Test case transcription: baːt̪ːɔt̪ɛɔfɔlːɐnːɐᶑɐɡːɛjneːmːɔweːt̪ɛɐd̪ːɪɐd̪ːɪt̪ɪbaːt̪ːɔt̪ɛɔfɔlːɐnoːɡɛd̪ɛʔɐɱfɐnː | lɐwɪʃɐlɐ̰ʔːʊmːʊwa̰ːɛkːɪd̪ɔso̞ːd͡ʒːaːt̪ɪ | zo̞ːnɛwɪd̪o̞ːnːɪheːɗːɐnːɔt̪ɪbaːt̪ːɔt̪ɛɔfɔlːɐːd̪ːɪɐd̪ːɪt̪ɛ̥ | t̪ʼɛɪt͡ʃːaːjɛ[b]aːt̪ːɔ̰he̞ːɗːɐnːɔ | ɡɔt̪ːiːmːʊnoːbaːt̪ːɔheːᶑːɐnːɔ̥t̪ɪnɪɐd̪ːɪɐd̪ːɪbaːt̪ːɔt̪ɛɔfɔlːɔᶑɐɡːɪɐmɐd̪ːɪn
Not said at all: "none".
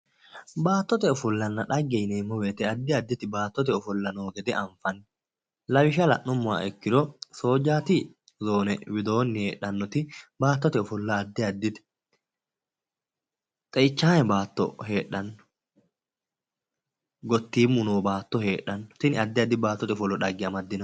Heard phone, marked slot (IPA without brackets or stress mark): b